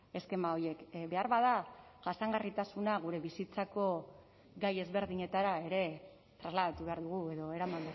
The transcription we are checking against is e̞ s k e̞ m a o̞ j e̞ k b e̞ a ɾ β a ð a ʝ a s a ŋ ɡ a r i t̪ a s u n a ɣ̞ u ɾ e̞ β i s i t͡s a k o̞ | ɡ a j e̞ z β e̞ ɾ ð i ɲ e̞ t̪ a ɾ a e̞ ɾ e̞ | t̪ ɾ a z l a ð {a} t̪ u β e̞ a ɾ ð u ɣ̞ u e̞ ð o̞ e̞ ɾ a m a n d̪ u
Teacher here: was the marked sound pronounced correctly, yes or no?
yes